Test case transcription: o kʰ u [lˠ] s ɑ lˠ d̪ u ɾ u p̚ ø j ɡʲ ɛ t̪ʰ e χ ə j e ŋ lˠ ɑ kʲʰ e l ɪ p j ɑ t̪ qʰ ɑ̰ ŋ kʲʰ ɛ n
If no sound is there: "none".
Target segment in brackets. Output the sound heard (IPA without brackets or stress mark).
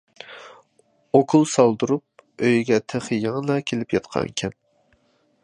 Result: lˠ